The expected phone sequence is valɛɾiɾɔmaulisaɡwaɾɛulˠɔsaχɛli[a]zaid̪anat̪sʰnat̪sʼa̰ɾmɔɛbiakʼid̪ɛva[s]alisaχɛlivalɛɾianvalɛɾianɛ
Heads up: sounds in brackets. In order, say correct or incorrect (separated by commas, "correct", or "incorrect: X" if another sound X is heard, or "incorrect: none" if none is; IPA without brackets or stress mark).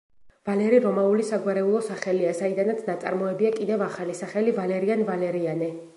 correct, incorrect: χ